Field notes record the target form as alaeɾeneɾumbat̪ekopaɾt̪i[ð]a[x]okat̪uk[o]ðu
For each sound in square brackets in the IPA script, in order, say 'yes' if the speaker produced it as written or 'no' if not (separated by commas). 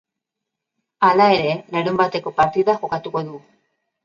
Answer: yes, yes, yes